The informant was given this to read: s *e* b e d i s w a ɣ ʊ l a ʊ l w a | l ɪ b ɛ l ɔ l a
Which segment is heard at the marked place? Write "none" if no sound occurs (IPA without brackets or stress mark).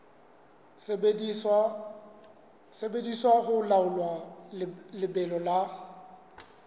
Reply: e